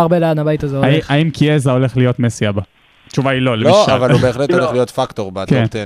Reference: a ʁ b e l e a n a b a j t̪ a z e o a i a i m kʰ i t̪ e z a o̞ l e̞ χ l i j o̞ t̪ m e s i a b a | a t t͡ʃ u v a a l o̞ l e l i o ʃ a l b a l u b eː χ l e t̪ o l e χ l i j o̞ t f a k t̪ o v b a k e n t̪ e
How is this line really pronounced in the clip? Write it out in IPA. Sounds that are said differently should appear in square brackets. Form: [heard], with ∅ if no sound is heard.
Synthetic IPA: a ʁ b e l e a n a b a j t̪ a z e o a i a i m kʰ i [∅] e z a o̞ l e̞ χ l i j o̞ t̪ m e s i a b a | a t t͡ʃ u v a [i] l o̞ l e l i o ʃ a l [v] a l u b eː χ l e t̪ o l e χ l i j o̞ t f a k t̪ o [ʁ] b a k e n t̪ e